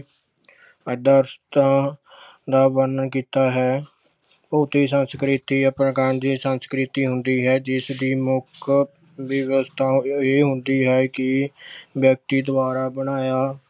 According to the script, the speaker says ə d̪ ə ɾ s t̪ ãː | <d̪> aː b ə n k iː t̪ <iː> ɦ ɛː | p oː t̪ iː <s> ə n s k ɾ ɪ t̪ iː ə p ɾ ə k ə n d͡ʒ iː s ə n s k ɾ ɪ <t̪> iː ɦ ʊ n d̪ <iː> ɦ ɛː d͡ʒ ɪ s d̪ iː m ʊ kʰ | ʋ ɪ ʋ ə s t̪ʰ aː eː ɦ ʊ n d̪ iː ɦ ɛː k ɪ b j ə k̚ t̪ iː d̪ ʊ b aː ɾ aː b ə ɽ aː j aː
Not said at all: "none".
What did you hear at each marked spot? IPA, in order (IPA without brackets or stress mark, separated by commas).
d̪, aː, s, t̪, iː